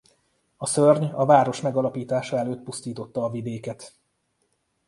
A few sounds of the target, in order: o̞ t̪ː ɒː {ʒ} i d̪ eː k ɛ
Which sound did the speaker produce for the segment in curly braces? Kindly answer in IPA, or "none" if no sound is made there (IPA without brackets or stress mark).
v